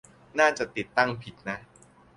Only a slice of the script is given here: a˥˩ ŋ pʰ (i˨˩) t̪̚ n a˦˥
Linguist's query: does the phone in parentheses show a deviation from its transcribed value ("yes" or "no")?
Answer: no